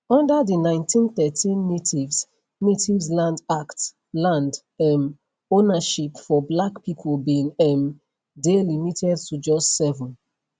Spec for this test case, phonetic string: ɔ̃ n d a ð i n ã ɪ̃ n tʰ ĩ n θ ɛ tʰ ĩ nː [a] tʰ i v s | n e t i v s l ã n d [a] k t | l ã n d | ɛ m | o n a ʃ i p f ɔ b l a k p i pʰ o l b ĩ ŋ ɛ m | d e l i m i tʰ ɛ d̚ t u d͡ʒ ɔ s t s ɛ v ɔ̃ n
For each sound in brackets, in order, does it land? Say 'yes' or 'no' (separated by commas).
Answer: no, yes